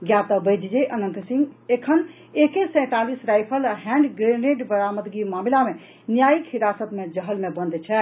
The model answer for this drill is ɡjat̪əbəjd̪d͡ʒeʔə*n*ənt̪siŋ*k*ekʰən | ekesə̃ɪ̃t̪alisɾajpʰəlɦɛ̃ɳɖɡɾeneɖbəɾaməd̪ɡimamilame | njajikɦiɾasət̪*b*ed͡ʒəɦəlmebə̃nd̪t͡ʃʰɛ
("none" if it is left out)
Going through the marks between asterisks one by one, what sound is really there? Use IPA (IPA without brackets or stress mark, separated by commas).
n, ɡ, m